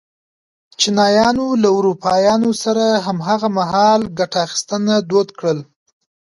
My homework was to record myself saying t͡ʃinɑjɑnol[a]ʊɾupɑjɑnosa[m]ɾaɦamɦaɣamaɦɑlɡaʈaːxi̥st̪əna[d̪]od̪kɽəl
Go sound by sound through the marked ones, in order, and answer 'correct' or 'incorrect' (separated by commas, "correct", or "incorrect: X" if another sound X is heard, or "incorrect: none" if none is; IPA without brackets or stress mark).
correct, incorrect: none, correct